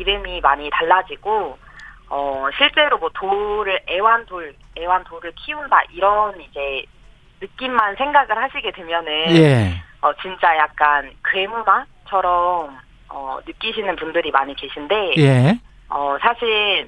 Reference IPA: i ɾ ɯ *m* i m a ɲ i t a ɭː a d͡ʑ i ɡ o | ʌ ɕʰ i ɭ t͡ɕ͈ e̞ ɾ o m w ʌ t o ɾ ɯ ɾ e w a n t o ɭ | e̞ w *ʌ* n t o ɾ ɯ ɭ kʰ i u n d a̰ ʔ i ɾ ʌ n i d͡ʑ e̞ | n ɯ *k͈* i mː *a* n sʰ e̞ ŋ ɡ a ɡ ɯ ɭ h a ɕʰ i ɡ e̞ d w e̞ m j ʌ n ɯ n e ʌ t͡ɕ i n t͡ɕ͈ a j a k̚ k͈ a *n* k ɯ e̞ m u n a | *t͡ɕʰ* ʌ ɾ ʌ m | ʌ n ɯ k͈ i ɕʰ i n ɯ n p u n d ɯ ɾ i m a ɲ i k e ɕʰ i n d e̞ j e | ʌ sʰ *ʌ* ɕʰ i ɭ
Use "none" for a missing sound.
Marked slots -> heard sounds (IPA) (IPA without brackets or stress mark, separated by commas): m, a, k͈, a, n, t͡ɕʰ, a